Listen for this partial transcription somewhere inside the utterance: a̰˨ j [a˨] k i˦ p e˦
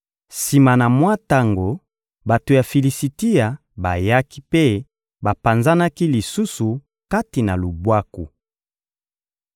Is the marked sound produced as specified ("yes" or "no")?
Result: no